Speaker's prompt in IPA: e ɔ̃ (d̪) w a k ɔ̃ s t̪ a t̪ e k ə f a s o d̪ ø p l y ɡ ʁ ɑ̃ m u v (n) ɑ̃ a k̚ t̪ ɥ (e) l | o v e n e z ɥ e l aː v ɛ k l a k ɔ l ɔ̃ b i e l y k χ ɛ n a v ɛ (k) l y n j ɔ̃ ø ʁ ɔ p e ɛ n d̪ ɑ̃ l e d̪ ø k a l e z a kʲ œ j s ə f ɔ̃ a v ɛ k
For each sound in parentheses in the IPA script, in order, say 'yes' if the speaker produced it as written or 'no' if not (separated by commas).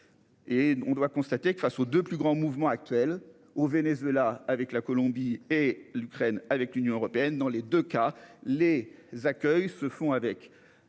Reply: yes, no, no, yes